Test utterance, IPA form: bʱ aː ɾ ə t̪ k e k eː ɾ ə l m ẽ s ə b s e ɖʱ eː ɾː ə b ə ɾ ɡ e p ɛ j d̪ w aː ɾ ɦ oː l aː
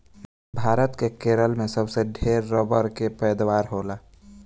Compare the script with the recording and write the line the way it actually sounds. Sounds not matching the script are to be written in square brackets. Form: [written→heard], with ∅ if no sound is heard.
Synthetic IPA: bʱ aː ɾ ə t̪ k e k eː ɾ ə l m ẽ s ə b s e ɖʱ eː ɾː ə b ə ɾ [ɡ→k] e p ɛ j d̪ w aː ɾ ɦ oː l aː